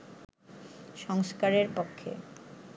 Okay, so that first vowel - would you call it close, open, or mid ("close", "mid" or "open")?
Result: mid